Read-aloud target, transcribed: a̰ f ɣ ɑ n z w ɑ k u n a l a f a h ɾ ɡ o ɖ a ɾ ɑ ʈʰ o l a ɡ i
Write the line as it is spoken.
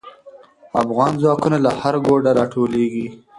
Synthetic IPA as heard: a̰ f ɣ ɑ n z w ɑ k u n a l a h a ɾ ɡ o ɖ a ɾ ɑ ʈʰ o l e ɡ i